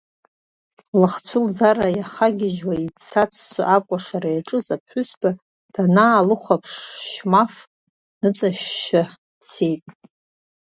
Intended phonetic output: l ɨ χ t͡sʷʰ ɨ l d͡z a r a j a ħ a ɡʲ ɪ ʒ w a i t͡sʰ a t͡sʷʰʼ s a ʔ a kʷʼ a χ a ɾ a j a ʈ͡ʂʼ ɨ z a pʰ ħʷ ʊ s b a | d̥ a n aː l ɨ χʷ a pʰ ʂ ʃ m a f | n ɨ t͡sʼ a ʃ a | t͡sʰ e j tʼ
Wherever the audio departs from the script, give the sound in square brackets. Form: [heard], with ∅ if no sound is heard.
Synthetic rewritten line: l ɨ χ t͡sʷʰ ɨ l d͡z a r a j a [χ] a ɡʲ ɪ ʒ w a i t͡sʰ a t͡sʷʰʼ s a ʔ a kʷʼ a [ʂ] a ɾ a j a ʈ͡ʂʼ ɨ z a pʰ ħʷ ʊ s b a | d̥ a n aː l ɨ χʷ a pʰ ʂ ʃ m a f | n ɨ t͡sʼ a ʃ a | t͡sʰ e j tʼ